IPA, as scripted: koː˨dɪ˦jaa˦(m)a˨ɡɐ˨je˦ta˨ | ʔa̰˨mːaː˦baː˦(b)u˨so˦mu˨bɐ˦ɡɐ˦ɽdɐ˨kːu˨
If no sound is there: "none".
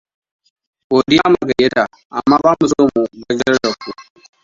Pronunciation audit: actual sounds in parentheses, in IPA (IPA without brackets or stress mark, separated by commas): m, m